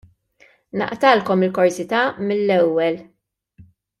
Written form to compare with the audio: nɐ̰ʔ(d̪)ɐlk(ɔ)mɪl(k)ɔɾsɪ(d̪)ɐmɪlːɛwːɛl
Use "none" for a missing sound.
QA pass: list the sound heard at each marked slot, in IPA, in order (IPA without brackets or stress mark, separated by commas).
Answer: t̪, ɔ, k, t̪